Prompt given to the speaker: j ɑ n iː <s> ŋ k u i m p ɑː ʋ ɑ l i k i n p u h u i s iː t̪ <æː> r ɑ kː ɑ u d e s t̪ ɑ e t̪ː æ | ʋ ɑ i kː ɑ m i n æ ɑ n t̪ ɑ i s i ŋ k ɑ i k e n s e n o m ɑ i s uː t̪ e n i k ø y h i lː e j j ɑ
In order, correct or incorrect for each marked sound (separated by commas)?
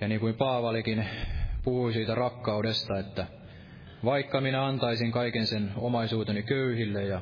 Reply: incorrect, incorrect